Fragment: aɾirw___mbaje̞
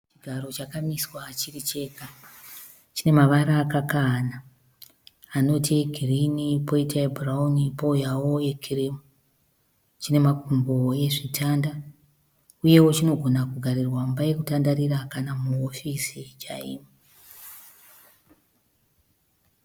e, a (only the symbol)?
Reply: a